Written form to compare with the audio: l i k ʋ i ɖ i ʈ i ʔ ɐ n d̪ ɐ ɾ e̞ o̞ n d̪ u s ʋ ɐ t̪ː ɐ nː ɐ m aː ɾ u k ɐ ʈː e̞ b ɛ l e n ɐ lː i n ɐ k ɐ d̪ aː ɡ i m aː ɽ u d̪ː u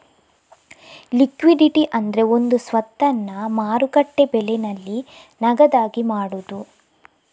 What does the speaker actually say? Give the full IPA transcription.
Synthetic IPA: l i k ʋ i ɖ i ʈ i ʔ ɐ n d̪ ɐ ɾ e̞ o̞ n d̪ u s ʋ ɐ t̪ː ɐ nː ɐ m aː ɾ u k ɐ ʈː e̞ b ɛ l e n ɐ lː i n ɐ ɡ ɐ d̪ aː ɡ i m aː ɽ u d̪ u